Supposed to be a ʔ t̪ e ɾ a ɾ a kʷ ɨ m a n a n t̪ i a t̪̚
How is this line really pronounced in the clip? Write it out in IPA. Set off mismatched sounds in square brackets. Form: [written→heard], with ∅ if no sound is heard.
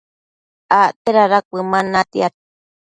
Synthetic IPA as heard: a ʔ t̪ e ɾ a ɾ a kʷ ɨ m a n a [n→∅] t̪ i a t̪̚